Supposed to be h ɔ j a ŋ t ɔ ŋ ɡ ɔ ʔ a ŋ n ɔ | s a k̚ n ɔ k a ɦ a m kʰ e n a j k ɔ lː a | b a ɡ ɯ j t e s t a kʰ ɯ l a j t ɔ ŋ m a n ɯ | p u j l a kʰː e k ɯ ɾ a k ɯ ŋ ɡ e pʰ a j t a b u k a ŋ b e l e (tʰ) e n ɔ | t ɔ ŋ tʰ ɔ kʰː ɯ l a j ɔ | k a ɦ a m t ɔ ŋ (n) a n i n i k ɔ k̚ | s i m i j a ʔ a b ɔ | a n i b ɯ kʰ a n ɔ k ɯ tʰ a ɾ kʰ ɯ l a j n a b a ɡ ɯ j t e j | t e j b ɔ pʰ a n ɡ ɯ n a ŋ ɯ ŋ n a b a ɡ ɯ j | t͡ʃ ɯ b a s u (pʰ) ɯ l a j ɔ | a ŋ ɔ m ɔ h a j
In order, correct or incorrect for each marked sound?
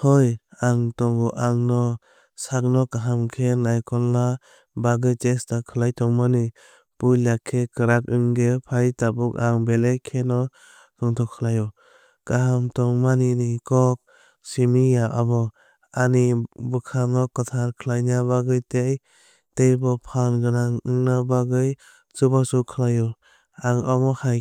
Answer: incorrect: kʰ, incorrect: m, incorrect: kʰ

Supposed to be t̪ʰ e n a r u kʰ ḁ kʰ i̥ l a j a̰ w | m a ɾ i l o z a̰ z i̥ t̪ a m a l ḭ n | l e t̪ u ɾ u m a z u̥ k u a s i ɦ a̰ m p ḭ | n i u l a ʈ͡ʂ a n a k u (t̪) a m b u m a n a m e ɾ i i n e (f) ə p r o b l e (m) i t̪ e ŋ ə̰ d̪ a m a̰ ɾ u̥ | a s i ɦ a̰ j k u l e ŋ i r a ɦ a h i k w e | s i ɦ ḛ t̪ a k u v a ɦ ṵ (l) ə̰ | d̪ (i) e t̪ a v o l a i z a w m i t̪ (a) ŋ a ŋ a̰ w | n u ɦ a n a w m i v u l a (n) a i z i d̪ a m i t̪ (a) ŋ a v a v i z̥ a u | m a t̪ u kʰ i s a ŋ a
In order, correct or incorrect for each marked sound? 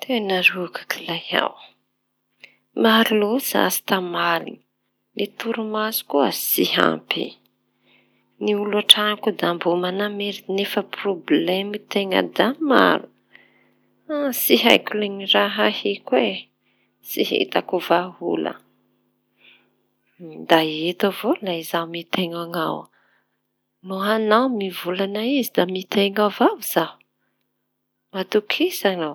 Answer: incorrect: d̪, correct, correct, correct, incorrect: a, incorrect: e, correct, incorrect: e

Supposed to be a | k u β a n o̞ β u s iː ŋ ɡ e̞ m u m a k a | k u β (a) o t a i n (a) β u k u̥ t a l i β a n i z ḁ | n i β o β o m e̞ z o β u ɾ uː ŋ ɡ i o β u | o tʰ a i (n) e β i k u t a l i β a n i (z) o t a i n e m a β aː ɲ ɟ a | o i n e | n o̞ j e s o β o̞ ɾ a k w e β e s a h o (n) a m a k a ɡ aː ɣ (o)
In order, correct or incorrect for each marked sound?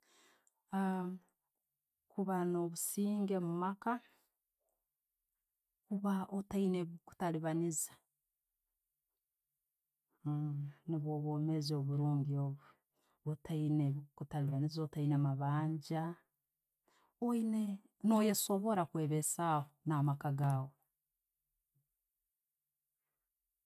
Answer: correct, incorrect: e, correct, correct, correct, correct

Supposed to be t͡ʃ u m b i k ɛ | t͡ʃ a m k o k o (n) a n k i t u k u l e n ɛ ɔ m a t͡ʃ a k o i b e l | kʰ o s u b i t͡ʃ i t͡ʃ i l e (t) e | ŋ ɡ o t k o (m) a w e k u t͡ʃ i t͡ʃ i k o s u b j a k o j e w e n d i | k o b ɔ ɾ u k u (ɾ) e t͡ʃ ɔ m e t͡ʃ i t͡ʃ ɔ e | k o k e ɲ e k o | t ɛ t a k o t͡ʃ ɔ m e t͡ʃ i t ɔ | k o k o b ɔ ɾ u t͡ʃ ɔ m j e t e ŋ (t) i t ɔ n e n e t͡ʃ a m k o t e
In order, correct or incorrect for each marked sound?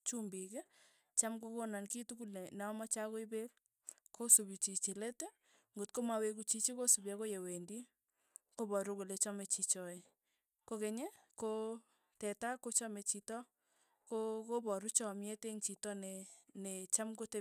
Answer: correct, correct, correct, incorrect: l, incorrect: t͡ʃ

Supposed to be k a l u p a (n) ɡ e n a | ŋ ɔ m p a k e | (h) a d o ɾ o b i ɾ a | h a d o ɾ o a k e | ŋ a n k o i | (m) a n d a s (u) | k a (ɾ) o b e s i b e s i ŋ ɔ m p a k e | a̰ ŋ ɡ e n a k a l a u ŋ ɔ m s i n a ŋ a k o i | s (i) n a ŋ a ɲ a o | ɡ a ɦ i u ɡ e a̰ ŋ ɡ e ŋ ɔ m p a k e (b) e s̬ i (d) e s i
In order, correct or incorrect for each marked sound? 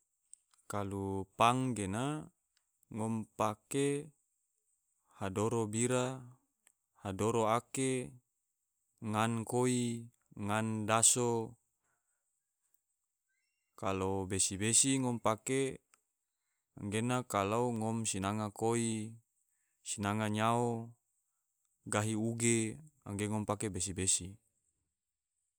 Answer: incorrect: ŋ, correct, incorrect: ŋ, incorrect: o, incorrect: l, correct, correct, incorrect: b

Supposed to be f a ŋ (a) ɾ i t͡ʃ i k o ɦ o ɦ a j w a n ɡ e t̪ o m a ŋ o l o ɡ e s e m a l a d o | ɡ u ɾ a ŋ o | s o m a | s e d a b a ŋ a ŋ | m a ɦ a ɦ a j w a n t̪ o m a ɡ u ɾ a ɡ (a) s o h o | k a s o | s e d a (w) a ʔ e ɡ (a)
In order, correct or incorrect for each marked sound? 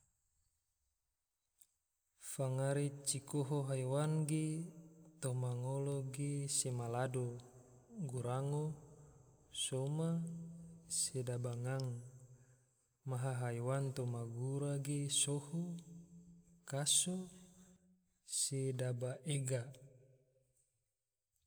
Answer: correct, incorrect: e, incorrect: b, correct

